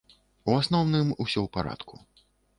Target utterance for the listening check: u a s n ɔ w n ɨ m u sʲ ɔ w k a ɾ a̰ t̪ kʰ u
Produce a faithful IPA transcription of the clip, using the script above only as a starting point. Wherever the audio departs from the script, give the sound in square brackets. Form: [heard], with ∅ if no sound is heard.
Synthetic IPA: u a s n ɔ w n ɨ m u sʲ ɔ w [p] a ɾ a̰ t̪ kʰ u